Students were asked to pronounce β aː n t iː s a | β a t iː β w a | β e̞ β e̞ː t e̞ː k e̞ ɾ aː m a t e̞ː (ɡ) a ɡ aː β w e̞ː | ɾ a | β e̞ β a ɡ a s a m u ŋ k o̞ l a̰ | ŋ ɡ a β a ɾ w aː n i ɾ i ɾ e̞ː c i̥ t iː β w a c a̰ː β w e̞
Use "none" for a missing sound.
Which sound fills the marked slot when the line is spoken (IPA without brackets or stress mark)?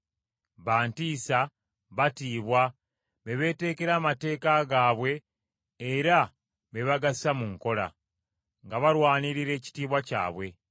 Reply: k